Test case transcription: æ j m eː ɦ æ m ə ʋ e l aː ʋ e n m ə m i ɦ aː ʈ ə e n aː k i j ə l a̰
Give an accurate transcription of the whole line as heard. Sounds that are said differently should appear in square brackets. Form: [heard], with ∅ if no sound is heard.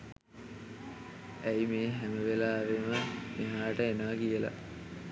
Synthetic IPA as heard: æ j m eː ɦ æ m ə ʋ e l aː ʋ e [∅] m ə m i ɦ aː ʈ ə e n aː k i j ə l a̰